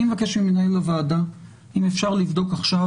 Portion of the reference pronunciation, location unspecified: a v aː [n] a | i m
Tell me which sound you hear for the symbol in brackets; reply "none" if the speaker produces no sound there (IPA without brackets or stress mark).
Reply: d